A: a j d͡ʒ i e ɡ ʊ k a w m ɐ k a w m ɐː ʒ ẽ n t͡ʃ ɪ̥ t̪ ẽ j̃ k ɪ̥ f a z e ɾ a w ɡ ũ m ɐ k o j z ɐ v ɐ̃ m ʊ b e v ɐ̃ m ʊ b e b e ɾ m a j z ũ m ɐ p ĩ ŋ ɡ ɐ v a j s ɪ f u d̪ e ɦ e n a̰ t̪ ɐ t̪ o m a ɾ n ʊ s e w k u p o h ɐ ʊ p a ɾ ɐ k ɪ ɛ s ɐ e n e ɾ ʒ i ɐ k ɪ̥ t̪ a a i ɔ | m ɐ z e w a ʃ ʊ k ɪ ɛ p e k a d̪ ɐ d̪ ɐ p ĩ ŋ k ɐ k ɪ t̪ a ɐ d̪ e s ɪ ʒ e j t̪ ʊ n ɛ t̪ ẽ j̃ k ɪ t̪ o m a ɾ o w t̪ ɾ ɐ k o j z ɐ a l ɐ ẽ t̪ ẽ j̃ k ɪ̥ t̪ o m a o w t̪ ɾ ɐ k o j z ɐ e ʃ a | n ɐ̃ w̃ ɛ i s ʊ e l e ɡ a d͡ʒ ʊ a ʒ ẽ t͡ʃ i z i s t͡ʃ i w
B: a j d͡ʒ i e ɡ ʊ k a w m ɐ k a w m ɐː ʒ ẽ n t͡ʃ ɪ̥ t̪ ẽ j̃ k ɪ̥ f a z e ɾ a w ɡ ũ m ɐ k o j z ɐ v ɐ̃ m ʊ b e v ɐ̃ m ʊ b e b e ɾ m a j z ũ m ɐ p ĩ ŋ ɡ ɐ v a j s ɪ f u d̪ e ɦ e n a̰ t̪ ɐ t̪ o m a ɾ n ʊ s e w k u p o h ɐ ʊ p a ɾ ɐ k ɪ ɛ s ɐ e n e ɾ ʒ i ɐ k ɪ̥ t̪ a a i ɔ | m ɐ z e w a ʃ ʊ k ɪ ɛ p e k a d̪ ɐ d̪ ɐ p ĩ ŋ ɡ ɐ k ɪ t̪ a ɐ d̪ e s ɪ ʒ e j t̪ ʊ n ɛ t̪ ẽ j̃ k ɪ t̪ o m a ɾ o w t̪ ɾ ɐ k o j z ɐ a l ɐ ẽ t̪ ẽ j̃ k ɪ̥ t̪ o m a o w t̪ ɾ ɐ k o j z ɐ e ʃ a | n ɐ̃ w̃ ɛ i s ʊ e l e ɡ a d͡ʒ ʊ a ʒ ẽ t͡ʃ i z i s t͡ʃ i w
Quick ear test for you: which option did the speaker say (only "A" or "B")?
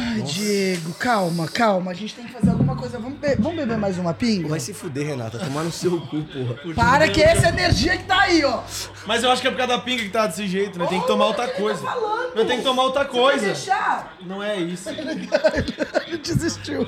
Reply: B